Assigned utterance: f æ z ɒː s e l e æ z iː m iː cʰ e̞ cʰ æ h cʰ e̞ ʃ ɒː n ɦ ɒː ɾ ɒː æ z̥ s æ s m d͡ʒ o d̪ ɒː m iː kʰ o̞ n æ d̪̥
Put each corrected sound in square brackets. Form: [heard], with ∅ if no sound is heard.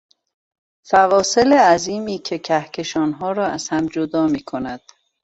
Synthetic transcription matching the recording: f æ [v] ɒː s e l e æ z iː m iː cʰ e̞ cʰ æ h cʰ e̞ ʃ ɒː n ɦ ɒː ɾ ɒː æ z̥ [h] æ [∅] m d͡ʒ o d̪ ɒː m iː kʰ o̞ n æ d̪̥